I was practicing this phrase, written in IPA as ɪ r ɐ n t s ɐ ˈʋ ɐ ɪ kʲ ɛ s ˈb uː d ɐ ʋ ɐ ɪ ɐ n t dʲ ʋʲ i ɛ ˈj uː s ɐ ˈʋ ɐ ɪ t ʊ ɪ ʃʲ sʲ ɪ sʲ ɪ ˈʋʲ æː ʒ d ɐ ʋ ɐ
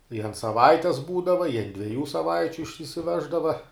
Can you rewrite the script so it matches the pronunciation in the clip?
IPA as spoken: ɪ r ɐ n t s ɐ ˈʋ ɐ ɪ tʲ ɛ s ˈb uː d ɐ ʋ ɐ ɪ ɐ n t dʲ ʋʲ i ɛ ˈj uː s ɐ ˈʋ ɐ ɪ t͡ʃʲ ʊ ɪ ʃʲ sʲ ɪ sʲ ɪ ˈʋʲ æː ʒ d ɐ ʋ ɐ